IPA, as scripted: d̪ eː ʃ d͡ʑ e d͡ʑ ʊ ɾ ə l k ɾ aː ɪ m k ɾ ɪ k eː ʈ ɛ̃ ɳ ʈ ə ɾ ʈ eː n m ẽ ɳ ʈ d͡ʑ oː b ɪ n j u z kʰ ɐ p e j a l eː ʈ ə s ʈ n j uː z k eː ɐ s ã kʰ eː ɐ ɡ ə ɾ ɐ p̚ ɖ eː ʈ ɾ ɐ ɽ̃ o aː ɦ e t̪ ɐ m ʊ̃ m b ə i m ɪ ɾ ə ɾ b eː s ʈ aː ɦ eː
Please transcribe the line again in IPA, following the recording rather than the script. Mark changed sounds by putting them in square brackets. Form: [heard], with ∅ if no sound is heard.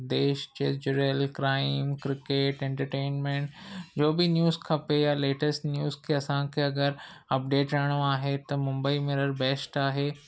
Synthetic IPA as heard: d̪ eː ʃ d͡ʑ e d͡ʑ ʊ ɾ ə l k ɾ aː ɪ m k ɾ ɪ k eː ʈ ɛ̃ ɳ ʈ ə ɾ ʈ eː n m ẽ ɳ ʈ d͡ʑ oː b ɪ n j [uː] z kʰ ɐ p e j a l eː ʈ ə s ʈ n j uː z [kʰ] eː ɐ s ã kʰ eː ɐ ɡ ə ɾ ɐ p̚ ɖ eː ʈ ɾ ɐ ɽ̃ o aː ɦ e t̪ ɐ m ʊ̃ m b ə i m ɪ ɾ ə ɾ b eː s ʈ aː ɦ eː

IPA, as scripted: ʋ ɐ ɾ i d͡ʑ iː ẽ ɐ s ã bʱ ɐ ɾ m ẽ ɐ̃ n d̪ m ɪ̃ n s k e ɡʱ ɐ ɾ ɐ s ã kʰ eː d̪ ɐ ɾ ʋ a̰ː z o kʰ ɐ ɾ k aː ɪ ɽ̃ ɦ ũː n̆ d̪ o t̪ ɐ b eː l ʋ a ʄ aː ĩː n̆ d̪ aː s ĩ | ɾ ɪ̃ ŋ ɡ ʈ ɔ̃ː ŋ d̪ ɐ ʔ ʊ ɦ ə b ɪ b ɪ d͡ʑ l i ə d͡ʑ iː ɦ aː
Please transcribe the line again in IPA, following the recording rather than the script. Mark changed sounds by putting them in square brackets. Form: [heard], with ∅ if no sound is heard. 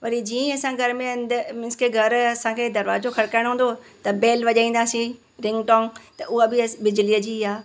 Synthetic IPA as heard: ʋ ɐ ɾ i d͡ʑ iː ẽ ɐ s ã [ɡʱ] ɐ ɾ m ẽ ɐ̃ n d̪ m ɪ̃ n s k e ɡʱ ɐ ɾ ɐ s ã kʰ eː d̪ ɐ ɾ ʋ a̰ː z o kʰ ɐ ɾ k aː ɪ ɽ̃ ɦ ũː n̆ d̪ o t̪ ɐ b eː l ʋ [ɐ] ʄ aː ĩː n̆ d̪ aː s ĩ | ɾ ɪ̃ ŋ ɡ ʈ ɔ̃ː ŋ [t̪] ɐ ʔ ʊ ɦ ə b ɪ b ɪ d͡ʑ l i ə d͡ʑ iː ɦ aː

